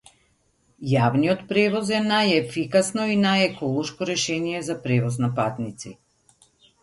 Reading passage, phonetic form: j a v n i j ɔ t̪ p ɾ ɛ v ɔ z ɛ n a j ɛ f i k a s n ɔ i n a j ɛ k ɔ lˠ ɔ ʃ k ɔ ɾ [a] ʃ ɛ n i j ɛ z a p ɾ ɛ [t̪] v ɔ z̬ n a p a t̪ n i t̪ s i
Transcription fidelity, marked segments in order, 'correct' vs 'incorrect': incorrect, incorrect

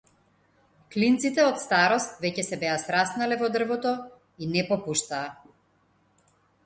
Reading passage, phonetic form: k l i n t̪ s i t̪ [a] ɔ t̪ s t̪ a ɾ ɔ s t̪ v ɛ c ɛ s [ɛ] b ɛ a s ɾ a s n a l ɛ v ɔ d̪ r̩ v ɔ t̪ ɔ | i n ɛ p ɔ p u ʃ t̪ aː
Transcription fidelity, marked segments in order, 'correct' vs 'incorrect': incorrect, correct

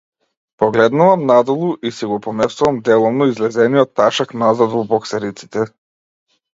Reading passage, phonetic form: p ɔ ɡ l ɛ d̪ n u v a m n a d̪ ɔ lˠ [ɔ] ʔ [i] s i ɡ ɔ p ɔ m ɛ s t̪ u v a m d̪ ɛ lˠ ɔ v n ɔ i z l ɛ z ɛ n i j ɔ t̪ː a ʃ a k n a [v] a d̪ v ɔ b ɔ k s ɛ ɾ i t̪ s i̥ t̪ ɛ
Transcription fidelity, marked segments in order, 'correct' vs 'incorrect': incorrect, correct, incorrect

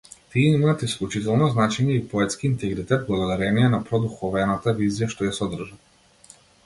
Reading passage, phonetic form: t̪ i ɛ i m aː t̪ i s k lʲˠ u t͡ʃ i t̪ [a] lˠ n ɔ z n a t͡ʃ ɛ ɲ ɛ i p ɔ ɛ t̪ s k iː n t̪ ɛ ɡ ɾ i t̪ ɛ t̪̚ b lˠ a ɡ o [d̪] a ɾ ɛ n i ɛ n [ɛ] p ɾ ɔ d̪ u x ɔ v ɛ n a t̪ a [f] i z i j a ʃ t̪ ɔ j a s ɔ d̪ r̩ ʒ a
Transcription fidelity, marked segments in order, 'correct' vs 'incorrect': incorrect, correct, incorrect, incorrect

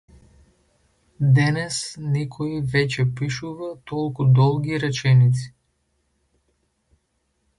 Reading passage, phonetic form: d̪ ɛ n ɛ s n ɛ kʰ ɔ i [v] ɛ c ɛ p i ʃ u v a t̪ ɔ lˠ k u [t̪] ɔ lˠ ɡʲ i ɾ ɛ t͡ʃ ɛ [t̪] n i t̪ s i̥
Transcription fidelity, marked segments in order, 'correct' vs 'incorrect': correct, incorrect, incorrect

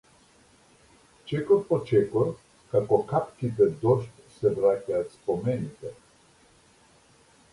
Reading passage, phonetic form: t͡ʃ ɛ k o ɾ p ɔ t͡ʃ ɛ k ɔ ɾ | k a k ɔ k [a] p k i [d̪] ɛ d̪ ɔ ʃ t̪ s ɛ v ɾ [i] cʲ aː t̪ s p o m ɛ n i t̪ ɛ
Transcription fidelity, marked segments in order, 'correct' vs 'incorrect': correct, incorrect, incorrect

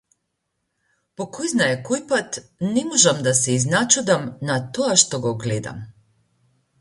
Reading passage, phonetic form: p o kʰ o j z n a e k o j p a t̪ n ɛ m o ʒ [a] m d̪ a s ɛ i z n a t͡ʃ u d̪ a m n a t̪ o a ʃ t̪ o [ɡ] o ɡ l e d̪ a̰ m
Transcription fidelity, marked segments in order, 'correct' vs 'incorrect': correct, correct

